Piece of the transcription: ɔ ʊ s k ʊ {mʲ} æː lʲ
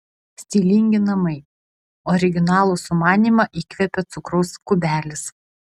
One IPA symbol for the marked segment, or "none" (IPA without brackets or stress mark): bʲ